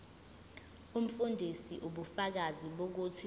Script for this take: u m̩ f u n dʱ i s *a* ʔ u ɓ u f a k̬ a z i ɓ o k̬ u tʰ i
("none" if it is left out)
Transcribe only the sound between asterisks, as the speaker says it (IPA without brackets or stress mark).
i